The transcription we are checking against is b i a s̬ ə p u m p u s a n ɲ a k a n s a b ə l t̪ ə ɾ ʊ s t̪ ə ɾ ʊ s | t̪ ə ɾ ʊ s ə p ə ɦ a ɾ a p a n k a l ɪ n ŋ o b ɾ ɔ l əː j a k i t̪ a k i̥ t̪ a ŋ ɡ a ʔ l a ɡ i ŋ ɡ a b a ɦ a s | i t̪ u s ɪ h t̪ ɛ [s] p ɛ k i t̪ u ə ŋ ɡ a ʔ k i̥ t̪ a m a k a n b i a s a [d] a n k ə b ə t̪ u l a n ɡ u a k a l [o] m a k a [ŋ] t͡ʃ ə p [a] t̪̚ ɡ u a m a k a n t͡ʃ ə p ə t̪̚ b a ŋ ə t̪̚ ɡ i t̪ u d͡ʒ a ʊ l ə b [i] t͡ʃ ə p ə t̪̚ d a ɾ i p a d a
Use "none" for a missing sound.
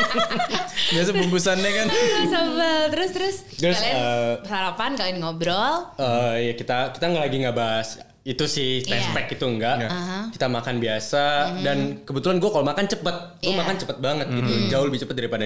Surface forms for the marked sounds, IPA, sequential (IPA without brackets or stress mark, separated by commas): s, d, o, n, ə, i